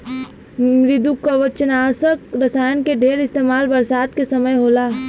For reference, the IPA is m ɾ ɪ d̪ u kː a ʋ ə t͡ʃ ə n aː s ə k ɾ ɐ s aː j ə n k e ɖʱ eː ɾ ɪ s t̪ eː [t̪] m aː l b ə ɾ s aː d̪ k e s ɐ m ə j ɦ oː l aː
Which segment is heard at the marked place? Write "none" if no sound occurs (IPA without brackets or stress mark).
none